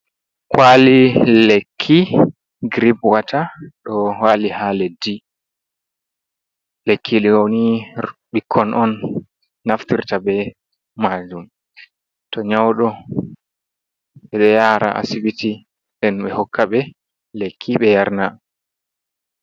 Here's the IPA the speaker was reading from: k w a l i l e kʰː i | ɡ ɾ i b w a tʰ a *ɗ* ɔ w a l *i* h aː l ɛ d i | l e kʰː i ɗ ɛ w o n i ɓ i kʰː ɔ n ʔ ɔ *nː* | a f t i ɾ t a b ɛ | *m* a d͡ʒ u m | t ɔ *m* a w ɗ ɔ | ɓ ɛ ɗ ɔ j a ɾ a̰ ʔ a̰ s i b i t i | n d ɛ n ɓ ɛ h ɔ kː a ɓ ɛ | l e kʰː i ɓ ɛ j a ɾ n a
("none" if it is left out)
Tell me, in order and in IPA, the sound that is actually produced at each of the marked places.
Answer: ɗ, i, nː, m, ɲ

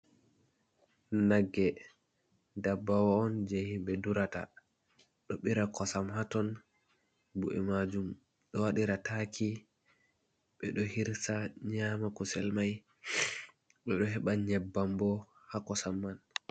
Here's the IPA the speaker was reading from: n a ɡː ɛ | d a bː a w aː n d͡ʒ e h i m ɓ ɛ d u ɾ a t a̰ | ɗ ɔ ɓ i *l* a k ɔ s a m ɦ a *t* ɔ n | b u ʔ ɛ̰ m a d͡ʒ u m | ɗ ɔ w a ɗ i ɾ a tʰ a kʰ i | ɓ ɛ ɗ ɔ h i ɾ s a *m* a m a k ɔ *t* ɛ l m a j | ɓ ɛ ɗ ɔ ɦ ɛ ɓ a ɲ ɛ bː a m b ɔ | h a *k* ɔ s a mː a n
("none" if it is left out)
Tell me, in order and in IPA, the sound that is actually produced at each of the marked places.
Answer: ɾ, t, ɲ, s, k

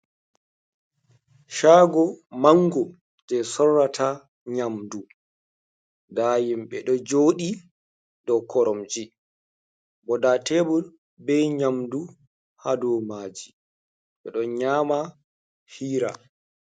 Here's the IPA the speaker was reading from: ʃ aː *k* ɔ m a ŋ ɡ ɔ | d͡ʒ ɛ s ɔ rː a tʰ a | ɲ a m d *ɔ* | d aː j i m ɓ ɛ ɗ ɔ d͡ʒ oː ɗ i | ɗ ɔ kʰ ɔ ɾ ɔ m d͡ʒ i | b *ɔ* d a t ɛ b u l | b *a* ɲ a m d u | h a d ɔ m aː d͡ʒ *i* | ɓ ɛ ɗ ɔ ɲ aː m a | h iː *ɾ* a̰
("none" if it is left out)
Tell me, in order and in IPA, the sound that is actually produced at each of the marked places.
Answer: ɡ, u, ɔ, ɛ, i, ɾ

